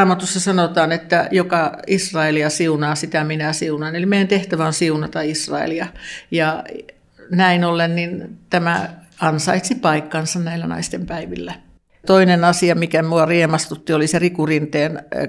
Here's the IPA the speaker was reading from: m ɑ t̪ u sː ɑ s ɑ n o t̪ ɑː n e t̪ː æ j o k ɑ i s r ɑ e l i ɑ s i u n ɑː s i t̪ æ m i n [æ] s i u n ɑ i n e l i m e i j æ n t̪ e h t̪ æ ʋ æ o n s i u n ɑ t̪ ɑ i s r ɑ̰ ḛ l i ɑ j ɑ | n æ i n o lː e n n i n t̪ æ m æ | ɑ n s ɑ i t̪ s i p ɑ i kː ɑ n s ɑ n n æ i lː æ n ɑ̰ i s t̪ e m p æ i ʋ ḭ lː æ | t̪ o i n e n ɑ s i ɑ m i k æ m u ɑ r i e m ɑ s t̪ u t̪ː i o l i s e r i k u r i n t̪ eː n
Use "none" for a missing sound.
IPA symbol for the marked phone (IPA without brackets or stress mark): æ